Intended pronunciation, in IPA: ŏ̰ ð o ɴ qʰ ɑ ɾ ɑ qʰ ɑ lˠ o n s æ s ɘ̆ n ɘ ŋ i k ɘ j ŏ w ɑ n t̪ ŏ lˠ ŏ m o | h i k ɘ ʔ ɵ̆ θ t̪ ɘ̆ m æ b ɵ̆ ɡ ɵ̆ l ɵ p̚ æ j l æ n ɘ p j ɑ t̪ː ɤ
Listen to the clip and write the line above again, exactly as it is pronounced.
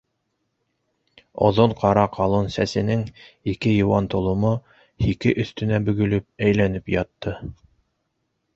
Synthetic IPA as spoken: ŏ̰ ð o ɴ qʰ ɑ ɾ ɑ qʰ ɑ lˠ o n s æ s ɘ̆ n ɘ ŋ i k ɘ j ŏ w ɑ n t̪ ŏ lˠ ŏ m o | h i k ɘ ʔ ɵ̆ θ t̪ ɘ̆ n æ b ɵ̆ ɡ ɵ̆ l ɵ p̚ æ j l æ n ɘ p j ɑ t̪ː ɤ